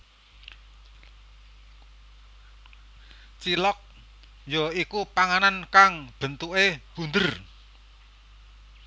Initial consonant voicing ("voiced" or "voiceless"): voiceless